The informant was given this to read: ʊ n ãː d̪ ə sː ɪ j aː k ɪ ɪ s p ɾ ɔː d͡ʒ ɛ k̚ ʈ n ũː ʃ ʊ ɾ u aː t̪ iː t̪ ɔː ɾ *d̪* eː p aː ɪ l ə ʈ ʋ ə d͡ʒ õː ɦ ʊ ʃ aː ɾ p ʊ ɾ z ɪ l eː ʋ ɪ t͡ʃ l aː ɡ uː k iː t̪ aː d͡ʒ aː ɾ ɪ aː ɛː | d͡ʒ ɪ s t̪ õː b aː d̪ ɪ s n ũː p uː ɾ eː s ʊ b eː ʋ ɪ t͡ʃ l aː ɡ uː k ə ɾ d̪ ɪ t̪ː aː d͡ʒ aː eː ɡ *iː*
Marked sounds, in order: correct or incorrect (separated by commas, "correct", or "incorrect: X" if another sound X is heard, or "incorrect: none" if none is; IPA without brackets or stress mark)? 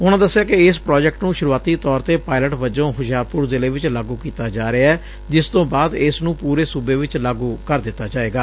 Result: incorrect: t̪, incorrect: aː